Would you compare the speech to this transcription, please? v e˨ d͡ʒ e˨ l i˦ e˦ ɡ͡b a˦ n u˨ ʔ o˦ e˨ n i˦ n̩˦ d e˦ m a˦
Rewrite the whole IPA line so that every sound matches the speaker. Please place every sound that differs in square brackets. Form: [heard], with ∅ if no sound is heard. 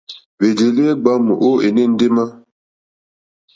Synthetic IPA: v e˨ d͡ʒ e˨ l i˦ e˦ ɡ͡b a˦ [m] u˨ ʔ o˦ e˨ n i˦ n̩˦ d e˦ m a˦

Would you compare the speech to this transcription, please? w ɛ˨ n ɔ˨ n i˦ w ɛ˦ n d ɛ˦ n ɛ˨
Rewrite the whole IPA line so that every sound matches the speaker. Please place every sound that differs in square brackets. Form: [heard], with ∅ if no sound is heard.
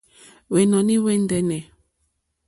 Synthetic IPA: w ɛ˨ n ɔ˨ n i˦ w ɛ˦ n d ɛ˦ n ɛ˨

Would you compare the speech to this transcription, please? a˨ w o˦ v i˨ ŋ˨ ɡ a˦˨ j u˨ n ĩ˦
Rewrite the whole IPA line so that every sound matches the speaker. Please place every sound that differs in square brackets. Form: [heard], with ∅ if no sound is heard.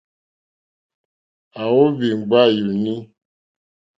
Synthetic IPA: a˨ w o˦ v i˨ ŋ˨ [ɡ͡b] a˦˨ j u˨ n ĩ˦

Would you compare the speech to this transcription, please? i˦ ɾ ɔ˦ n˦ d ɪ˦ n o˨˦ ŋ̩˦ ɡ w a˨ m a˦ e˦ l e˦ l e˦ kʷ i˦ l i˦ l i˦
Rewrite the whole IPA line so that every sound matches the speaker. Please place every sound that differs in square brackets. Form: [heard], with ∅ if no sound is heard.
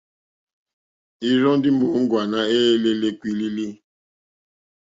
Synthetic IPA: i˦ ɾ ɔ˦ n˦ d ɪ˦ [m] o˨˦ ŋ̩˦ ɡ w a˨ [n] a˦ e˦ l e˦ l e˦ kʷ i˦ l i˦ l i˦

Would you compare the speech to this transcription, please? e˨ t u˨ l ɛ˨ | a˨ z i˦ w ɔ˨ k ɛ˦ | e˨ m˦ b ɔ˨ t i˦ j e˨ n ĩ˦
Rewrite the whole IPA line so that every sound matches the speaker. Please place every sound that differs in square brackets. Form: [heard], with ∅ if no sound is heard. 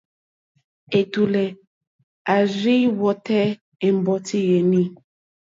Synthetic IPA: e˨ t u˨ l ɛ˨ | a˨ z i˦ w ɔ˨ [t] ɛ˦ | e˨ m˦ b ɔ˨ t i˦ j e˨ n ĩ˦

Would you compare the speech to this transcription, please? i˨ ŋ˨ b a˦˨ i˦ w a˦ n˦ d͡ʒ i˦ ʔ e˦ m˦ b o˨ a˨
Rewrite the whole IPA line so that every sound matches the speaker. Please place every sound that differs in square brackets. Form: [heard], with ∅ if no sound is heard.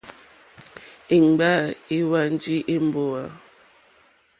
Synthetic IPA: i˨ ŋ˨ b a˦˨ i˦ w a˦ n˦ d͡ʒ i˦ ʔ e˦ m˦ b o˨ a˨

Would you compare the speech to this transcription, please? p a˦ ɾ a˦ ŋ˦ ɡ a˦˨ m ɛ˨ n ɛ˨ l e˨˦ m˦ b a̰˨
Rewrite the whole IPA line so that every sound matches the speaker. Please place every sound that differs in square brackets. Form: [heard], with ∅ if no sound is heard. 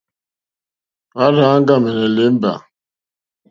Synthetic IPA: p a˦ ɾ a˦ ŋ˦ ɡ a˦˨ m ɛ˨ n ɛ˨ l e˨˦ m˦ b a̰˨

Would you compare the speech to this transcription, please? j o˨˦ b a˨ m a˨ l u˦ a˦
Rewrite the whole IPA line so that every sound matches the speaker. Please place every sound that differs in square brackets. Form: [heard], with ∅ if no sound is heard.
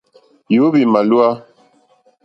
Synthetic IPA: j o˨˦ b [i˨] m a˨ l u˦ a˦

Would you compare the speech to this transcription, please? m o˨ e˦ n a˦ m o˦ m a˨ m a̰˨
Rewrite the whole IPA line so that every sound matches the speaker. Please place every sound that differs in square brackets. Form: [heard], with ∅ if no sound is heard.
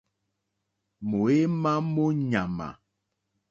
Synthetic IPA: m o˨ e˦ [m] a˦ m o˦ [ɲ] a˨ m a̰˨

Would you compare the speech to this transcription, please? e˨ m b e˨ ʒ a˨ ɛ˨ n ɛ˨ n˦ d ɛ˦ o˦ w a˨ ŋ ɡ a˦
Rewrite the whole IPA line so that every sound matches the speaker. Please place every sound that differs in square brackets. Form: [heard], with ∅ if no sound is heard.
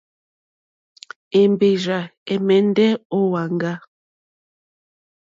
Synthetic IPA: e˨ m b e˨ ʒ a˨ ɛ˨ [m] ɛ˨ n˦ d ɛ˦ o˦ w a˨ ŋ ɡ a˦

